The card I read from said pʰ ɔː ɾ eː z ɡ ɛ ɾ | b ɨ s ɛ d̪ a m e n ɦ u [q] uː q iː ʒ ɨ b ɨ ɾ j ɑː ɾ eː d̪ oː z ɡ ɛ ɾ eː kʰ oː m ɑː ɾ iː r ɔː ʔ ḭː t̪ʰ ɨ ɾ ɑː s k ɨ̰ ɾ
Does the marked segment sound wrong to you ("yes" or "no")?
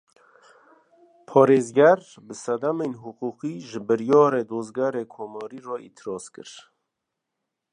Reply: no